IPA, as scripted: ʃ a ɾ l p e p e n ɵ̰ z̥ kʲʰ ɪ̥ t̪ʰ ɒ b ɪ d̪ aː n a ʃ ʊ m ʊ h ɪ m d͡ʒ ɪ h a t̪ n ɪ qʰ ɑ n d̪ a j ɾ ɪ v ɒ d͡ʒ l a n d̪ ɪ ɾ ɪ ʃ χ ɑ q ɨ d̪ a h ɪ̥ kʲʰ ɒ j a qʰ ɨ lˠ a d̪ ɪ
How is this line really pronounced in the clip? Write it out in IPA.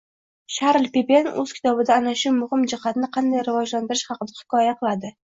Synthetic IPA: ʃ a ɾ l p e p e n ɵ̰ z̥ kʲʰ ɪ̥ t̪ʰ ɒ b ɪ d̪ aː n a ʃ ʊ m ʊ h ɪ m d͡ʒ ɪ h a t̪ n ɪ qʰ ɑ n d̪ a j ɾ ɪ v ɒ d͡ʒ l a n d̪ ɪ ɾ ɪ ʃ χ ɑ q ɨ d̪ a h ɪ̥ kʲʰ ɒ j a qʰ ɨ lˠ a d̪ ɪ